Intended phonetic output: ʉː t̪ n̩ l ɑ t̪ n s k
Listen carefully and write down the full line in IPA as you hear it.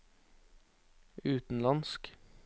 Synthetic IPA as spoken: ʉː t̪ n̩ l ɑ n s k